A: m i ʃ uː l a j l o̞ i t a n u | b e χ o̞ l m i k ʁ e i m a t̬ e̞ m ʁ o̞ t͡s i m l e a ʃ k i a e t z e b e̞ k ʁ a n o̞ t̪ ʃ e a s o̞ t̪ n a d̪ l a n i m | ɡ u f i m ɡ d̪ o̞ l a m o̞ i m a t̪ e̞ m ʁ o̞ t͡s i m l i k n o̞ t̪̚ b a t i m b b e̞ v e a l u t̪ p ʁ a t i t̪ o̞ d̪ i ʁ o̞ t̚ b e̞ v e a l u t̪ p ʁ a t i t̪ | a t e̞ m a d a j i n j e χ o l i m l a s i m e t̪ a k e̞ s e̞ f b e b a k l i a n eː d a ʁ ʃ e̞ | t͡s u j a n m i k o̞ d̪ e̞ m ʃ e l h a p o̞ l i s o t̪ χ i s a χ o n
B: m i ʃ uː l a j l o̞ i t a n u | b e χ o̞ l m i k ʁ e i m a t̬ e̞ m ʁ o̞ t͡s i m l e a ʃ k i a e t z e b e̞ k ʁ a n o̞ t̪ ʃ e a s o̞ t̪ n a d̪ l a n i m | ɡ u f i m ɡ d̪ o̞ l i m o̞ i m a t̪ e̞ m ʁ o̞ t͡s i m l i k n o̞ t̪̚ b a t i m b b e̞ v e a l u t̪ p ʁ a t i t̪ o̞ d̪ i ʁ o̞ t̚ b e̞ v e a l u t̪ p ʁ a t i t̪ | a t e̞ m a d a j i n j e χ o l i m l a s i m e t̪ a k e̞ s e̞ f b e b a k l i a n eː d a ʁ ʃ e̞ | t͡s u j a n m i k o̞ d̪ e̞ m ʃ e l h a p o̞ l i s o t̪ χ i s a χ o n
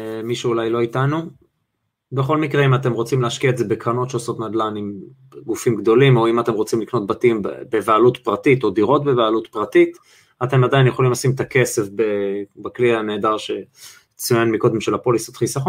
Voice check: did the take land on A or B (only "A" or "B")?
B